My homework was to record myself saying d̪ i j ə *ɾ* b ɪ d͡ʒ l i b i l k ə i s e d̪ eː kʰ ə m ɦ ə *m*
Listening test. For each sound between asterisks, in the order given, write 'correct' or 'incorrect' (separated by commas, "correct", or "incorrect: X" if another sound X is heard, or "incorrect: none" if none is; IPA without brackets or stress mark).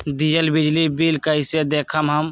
incorrect: l, correct